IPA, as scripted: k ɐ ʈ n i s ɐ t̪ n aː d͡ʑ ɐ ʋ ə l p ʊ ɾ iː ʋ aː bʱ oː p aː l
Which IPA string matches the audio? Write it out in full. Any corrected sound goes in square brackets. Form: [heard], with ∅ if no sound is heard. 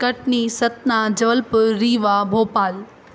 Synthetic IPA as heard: k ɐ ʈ n i s ɐ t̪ n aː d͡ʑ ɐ ʋ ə l p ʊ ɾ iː ʋ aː bʱ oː p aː l